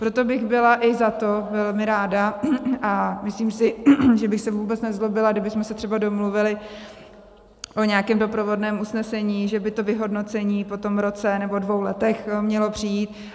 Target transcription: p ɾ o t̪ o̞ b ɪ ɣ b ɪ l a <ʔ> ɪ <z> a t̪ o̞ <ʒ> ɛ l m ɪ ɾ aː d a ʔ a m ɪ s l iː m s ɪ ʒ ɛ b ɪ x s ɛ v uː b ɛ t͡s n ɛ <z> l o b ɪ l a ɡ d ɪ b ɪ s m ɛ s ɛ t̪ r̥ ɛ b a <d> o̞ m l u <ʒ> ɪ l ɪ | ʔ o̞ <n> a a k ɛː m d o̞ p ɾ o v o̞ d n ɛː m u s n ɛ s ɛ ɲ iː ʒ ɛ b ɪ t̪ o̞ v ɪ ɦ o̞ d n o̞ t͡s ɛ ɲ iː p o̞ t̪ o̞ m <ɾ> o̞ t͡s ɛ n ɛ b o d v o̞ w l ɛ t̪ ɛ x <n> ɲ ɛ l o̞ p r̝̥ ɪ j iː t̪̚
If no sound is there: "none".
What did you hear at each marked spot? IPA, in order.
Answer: ʔ, z, v, z, d, v, ɲ, ɾ, m

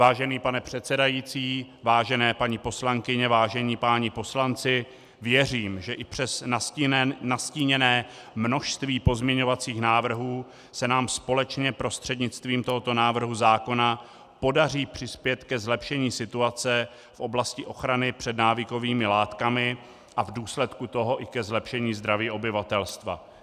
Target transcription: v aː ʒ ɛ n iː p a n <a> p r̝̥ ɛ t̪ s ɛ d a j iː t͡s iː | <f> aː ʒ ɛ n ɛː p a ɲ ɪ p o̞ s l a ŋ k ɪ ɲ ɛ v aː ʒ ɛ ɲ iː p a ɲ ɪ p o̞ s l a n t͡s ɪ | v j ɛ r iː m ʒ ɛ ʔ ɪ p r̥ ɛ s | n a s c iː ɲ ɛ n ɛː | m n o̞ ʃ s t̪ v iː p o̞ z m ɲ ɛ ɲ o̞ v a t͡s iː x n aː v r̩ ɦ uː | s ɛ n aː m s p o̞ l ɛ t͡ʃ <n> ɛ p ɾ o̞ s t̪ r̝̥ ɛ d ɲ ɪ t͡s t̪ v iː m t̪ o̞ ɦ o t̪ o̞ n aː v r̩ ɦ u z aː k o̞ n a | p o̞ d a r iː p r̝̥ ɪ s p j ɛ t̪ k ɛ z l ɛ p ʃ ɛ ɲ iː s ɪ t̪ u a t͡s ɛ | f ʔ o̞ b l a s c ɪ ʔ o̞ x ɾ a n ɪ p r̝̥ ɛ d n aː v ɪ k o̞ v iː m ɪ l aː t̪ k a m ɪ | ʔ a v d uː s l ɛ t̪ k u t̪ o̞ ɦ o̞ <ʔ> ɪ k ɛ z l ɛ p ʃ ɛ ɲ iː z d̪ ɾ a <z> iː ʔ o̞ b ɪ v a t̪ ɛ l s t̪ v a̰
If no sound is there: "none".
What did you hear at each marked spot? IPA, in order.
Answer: ɛ, v, ɲ, ʔ, v

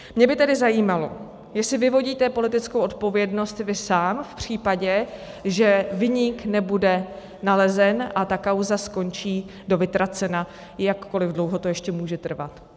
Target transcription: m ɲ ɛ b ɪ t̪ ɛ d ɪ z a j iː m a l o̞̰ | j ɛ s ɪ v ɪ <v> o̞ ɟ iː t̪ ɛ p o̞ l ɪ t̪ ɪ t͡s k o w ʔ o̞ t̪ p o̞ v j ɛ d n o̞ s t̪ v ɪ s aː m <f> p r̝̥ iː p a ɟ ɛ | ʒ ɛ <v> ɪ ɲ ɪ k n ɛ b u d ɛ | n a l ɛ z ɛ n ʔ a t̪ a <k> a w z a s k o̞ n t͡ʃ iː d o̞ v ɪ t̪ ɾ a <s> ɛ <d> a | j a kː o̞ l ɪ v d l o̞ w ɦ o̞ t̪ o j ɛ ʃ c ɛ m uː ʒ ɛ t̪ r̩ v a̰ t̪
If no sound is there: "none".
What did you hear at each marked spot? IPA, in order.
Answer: v, f, v, k, t͡s, n

